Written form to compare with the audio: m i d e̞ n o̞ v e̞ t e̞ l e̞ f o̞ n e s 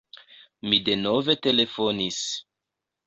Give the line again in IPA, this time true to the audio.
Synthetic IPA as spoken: m i d e̞ n o̞ v e̞ t e̞ l e̞ f o̞ n i s